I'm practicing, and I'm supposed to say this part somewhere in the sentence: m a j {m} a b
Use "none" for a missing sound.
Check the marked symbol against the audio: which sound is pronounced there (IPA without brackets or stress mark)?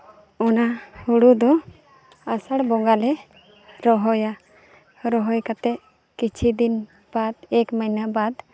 n